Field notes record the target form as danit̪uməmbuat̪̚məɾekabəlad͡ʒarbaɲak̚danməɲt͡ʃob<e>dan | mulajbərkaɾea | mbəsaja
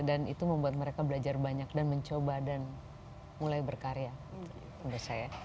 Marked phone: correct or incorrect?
incorrect